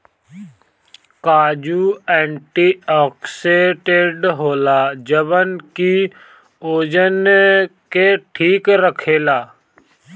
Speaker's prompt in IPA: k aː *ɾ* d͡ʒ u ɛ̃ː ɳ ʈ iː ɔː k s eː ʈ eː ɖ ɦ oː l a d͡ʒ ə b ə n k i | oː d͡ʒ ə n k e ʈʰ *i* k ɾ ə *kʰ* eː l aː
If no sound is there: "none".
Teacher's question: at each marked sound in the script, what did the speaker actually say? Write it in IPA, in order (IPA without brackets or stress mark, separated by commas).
none, iː, kʰ